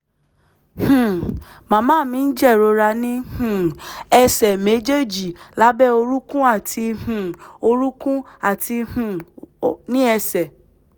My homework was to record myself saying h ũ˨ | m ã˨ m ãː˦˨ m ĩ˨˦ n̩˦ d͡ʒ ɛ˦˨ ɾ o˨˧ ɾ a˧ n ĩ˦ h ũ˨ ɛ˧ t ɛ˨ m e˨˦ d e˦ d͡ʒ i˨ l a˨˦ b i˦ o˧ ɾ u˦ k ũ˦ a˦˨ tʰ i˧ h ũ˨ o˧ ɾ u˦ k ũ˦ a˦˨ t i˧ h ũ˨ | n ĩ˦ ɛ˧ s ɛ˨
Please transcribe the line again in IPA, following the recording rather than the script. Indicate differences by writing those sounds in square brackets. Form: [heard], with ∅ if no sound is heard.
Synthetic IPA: h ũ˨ | m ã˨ m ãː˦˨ m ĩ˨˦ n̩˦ d͡ʒ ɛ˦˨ ɾ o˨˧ ɾ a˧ n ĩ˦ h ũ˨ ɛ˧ [s] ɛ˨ m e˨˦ [d͡ʒ] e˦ d͡ʒ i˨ l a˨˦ b [ɛ˦] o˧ ɾ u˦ k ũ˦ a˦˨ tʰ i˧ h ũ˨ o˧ ɾ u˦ k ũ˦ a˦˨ t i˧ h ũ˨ | n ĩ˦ ɛ˧ s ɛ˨